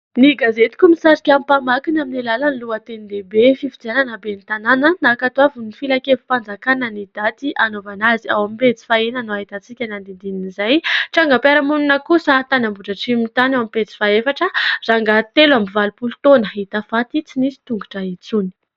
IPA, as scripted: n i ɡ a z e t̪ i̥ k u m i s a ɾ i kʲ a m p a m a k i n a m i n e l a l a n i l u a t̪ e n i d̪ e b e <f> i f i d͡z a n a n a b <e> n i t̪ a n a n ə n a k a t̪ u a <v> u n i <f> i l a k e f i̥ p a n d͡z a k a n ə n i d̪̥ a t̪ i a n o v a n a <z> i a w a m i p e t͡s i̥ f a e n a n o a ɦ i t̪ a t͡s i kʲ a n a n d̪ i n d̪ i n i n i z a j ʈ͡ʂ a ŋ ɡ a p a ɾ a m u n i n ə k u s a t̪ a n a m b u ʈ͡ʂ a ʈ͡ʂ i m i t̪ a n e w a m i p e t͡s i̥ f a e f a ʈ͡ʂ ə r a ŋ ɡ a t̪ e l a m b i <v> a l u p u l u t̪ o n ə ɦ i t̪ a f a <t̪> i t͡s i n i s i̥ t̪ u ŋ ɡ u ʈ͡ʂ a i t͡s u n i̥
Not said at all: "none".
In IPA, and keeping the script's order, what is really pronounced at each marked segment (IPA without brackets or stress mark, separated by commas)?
f, e, v, f, z, v, t̪